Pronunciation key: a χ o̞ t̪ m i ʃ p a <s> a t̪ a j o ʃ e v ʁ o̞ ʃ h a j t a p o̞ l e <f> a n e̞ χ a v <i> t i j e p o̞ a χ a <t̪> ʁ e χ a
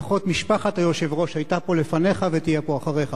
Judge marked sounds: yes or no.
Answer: no, yes, no, no

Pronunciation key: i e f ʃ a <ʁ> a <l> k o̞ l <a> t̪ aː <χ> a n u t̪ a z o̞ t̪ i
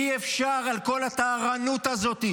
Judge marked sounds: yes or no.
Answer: yes, yes, yes, no

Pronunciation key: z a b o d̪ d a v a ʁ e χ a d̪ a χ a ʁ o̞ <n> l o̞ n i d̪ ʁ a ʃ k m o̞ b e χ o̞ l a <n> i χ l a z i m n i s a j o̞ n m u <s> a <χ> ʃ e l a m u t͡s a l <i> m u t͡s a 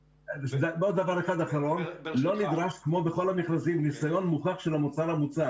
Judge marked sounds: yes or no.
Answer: yes, no, no, yes, no

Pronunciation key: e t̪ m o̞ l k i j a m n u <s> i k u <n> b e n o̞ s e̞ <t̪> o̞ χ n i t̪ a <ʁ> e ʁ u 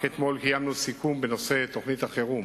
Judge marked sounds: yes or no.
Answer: yes, no, yes, no

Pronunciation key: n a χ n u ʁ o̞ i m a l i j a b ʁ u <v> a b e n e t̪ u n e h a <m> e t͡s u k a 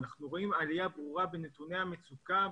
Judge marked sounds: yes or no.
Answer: no, yes

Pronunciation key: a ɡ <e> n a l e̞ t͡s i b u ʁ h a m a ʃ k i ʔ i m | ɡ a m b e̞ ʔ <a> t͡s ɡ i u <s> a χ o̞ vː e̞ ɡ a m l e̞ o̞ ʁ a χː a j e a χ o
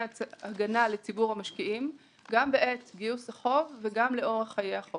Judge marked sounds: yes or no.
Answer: no, no, yes

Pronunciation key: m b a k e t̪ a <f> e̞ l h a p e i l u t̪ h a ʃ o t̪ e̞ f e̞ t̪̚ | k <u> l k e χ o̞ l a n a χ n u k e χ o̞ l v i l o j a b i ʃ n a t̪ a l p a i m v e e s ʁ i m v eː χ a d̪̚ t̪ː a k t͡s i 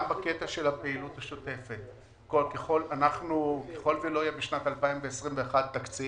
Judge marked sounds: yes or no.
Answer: no, no

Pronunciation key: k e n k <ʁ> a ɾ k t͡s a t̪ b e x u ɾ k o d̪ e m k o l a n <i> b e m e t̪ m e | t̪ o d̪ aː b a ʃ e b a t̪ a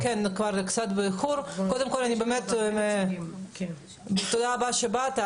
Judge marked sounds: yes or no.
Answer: no, yes

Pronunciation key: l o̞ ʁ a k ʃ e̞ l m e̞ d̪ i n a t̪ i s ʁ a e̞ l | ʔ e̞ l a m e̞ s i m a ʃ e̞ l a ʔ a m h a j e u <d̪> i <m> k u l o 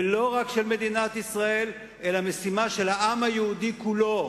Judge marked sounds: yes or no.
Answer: yes, no

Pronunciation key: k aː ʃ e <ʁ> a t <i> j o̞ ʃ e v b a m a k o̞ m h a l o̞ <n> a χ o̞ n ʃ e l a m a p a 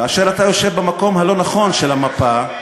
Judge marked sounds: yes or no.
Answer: yes, no, yes

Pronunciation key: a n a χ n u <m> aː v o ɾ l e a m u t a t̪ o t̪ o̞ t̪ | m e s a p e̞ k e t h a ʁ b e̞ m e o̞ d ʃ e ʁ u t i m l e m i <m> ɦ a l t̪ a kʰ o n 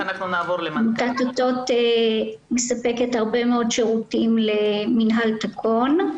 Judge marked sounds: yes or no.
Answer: no, no

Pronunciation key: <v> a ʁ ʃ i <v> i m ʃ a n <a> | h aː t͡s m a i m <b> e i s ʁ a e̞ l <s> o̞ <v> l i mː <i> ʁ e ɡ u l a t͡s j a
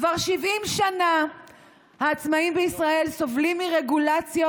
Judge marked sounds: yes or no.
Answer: yes, yes, yes, yes, yes, yes, yes

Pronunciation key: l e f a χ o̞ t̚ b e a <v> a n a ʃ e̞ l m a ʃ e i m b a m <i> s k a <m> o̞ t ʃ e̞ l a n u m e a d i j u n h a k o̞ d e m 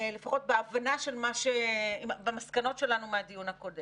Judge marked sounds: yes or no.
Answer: yes, no, no

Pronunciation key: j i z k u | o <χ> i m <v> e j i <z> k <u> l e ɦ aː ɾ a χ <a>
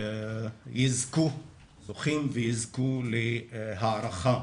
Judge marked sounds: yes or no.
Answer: yes, yes, yes, yes, yes

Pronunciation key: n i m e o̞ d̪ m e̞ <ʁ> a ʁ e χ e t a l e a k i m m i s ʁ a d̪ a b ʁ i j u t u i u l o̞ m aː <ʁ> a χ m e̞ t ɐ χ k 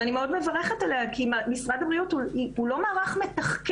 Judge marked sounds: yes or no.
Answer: no, yes

